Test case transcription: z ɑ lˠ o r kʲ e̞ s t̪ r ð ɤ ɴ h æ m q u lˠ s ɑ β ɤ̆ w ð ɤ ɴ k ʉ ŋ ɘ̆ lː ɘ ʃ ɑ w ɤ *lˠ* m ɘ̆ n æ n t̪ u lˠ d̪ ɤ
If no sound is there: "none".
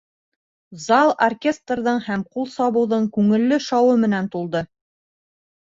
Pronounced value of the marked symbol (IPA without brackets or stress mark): none